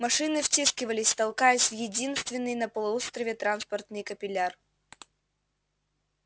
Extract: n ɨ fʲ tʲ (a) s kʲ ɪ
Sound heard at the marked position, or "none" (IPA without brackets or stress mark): i